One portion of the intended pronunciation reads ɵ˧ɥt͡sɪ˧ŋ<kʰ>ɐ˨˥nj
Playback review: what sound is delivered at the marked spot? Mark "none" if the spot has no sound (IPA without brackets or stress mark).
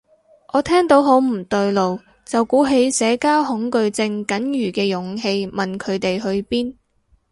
k